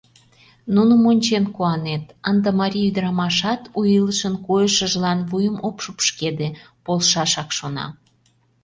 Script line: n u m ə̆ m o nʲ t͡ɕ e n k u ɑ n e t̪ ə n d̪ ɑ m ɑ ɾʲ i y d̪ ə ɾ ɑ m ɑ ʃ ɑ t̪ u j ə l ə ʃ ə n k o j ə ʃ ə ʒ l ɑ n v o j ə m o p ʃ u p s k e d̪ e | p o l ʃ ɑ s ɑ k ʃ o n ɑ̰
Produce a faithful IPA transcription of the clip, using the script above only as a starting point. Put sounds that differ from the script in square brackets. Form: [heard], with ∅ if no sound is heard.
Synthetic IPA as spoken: n u [n] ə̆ m o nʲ t͡ɕ e n k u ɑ n e t̪ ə n d̪ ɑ m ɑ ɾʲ i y d̪ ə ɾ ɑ m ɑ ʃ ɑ t̪ u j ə l ə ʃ ə n k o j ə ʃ ə ʒ l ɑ n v [u] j ə m o p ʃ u p [ʃ] k e d̪ e | p o l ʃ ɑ [ʃ] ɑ k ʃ o n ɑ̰